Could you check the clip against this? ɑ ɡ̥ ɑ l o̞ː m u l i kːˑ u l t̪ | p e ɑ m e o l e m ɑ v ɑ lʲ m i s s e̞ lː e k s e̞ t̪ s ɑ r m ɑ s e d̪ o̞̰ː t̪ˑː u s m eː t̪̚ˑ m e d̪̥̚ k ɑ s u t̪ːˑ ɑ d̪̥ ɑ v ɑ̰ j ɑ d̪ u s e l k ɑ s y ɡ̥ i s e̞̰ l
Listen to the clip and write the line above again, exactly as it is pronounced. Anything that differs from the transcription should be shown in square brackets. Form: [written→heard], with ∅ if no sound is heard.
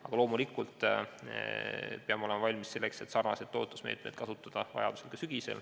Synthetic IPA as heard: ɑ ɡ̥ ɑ l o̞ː m u l i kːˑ u l t̪ | p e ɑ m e o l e m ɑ v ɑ lʲ m i s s e̞ lː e k s e̞ t̪ s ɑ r [m→n] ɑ s e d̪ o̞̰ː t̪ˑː u s m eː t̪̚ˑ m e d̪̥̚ k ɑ s u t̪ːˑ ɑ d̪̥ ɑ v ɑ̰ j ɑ d̪ u s e l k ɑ s y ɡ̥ i s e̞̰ l

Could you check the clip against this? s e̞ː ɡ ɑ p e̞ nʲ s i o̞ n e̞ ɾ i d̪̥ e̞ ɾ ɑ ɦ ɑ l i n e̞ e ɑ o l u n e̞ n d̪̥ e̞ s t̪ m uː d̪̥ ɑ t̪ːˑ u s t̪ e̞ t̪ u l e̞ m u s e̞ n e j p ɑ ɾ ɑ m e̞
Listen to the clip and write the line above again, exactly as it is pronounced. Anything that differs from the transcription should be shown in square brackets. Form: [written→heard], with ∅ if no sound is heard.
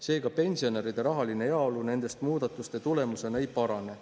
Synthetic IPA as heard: s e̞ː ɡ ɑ p e̞ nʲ s i o̞ n e̞ ɾ i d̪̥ e̞ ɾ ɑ ɦ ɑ l i n e̞ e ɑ o l u n e̞ n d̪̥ e̞ s t̪ m uː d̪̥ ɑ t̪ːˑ u s t̪ e̞ t̪ u l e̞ m u s e̞ n e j p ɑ ɾ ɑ [m→n] e̞

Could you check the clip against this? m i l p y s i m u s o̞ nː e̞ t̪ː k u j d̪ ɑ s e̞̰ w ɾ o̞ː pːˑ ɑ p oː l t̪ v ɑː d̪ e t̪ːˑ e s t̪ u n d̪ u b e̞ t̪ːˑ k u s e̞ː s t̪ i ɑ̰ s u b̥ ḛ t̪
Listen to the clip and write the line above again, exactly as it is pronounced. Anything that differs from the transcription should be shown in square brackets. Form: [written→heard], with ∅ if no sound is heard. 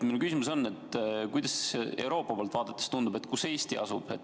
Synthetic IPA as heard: m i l [p→k] y s i m u s o̞ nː e̞ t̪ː k u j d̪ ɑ s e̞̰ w ɾ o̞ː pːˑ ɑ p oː l t̪ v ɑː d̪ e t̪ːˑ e s t̪ u n d̪ u b e̞ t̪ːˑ k u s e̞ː s t̪ i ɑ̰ s u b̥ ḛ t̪

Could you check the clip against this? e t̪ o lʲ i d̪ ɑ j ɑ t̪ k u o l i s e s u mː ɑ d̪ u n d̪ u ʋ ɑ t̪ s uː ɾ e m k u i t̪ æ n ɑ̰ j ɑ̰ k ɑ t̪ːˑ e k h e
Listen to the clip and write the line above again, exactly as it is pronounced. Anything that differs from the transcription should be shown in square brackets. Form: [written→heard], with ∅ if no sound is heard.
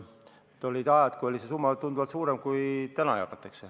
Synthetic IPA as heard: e t̪ o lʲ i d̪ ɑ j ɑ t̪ k u o l i s e s u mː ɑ [d̪→t̪] u n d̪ u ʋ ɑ t̪ s uː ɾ e m k u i t̪ æ n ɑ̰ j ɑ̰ k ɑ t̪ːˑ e k [h→s] e

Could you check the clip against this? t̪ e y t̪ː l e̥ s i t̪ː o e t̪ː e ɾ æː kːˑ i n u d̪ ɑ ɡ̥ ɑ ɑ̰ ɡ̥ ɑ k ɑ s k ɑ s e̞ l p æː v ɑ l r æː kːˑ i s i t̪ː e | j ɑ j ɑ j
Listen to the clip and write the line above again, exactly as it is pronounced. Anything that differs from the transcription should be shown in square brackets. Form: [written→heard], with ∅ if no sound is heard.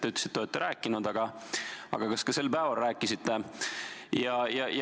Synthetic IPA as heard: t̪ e y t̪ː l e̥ s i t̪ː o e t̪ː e ɾ æː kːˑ i n u d̪ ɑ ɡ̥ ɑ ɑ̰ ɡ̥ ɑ k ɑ s k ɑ s e̞ l p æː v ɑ l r æː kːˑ i s i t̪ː e | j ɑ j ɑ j

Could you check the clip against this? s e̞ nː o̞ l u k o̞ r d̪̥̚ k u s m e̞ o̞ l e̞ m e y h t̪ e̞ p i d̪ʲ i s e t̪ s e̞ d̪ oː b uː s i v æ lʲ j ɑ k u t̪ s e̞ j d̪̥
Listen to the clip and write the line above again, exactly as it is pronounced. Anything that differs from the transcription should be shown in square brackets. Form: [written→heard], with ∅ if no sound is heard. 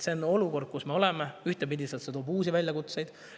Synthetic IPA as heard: s e̞ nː o̞ l u k o̞ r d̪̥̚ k u s m e̞ o̞ l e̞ m e y h t̪ e̞ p i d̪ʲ i s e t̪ s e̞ [d̪→t̪] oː b uː s i v æ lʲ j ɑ k u t̪ s e̞ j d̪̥

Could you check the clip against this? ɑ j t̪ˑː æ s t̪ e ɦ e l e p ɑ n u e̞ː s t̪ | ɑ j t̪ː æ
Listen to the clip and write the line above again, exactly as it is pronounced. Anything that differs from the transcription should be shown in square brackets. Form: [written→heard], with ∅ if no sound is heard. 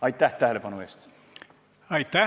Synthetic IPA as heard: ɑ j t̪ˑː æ [s→h] t̪ [e→æ] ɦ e l e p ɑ n u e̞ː s t̪ | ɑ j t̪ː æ

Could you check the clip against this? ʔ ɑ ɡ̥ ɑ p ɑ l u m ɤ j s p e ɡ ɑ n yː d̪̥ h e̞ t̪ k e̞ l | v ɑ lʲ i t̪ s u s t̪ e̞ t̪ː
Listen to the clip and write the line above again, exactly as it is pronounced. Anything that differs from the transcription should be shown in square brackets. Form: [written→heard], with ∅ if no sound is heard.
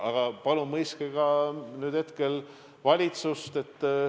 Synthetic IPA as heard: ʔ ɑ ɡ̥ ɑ p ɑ l u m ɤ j s [p→k] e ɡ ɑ n yː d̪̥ h e̞ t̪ k e̞ l | v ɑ lʲ i t̪ s u s t̪ e̞ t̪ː

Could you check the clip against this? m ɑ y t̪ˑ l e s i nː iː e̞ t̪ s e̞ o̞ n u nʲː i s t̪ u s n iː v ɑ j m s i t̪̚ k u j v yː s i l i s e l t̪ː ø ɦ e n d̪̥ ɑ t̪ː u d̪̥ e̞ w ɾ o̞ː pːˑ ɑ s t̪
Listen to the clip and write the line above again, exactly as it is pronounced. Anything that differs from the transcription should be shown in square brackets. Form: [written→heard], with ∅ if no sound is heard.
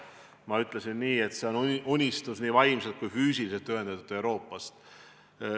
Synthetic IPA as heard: m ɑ y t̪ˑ l e s i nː iː e̞ t̪ s e̞ o̞ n u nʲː i s t̪ u s n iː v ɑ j m s [i→e] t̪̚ k u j [v→f] yː s i l i s e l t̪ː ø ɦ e n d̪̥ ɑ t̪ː u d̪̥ e̞ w ɾ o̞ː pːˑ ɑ s t̪

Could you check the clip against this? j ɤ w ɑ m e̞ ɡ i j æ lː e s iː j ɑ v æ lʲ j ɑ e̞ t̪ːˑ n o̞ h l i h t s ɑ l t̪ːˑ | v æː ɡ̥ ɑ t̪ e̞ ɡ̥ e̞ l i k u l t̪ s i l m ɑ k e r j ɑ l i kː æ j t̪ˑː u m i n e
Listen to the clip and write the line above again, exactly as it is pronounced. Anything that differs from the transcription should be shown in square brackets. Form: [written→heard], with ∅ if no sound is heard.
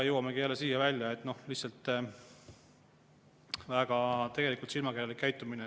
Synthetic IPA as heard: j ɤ w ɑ m e̞ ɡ i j æ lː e s iː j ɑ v æ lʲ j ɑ e̞ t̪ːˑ n o̞ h l i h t s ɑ l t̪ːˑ | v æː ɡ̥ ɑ t̪ e̞ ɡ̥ e̞ l i k u l t̪ s i l m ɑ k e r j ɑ l i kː æ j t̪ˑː u m i n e

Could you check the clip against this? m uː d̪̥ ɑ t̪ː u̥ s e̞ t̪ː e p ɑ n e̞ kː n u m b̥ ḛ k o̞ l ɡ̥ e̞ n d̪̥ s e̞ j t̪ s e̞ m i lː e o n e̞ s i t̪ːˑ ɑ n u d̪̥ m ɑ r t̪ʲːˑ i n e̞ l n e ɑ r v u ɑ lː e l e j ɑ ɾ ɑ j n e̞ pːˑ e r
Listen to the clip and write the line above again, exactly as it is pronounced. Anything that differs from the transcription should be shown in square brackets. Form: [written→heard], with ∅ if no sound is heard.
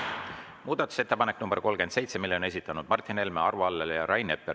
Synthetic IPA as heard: m uː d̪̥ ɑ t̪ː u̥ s e̞ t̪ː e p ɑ n e̞ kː n u m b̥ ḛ k o̞ l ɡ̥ e̞ n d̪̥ s e̞ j t̪ s e̞ m i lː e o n e̞ s i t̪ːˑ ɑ n u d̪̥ m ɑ r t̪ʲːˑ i n e̞ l [n→m] e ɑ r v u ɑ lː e l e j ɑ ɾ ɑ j n e̞ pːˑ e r

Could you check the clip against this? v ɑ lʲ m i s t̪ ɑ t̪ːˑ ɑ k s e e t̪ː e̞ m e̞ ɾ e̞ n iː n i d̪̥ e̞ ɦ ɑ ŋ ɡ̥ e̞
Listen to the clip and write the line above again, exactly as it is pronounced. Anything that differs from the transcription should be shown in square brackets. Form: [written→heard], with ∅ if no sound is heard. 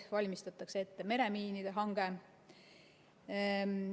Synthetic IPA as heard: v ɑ lʲ m i s t̪ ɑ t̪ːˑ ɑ k s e e t̪ː e̞ m e̞ ɾ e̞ [n→m] iː n i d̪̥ e̞ ɦ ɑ ŋ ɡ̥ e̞

